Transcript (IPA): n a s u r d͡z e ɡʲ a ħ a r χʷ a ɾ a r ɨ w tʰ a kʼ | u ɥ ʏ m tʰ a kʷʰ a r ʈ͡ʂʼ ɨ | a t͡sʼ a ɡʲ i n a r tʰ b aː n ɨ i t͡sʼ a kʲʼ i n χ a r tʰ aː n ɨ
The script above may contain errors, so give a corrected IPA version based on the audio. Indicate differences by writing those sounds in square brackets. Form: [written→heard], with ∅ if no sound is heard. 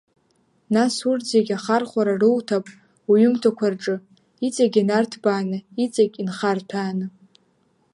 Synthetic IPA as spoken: n a s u r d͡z e ɡʲ a [ħ→χ] a r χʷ a ɾ a r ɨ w tʰ a [kʼ→pʼ] | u ɥ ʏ m tʰ a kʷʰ a r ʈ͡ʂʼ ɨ | [a→i] t͡sʼ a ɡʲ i n a r tʰ b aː n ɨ i t͡sʼ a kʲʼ i n χ a r tʰ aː n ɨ